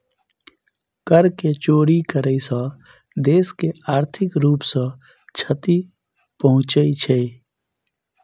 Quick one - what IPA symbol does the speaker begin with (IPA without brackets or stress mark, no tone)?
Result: k